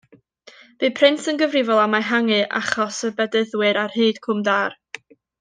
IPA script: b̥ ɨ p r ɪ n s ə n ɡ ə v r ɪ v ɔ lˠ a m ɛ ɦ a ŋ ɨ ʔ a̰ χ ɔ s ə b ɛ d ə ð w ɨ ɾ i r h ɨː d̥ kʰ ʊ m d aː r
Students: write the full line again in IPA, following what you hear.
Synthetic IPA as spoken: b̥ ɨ pʰ r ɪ n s ə n ɡ ə v r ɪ v ɔ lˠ a m a ɦ a ŋ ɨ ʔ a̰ χ ɔ s ə b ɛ d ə ð w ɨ ɾ a r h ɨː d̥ kʰ ʊ m d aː r